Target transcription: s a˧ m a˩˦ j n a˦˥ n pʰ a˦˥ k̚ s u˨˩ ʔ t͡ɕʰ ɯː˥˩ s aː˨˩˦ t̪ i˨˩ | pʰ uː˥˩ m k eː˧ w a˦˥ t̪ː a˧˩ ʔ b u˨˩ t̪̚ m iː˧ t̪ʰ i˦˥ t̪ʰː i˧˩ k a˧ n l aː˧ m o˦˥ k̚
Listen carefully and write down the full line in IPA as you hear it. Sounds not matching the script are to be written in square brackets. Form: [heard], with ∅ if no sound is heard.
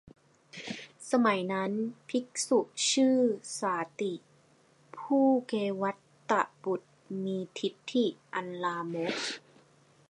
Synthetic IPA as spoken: s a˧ m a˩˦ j n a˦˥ n pʰ [i˦˥] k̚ s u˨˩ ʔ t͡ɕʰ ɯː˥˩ s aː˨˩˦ t̪ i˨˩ | pʰ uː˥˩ [∅] k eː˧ w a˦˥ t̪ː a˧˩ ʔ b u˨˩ t̪̚ m iː˧ t̪ʰ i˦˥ t̪ʰː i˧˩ [ʔ] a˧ n l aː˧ m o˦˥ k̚